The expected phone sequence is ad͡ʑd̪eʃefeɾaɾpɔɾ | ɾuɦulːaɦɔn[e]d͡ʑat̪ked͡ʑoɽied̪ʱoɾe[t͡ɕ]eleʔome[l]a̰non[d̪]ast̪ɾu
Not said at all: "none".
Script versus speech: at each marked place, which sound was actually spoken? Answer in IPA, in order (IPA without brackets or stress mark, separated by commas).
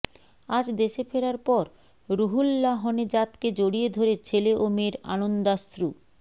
e, t͡ɕʰ, ɾ, d̪